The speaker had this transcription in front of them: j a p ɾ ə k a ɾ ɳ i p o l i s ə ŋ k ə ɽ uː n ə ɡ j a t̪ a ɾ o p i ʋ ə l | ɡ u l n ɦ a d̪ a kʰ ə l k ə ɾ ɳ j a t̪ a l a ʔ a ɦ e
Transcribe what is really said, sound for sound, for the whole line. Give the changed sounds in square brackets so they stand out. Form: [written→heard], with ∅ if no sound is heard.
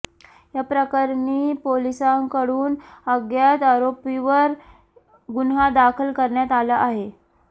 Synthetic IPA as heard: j a p ɾ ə k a ɾ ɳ i p o l i s [ə→a] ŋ k ə ɽ uː n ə ɡ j a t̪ a ɾ o p i ʋ ə [l→ɾ] | ɡ u [l→∅] n ɦ a d̪ a kʰ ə l k ə ɾ ɳ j a t̪ a l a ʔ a ɦ e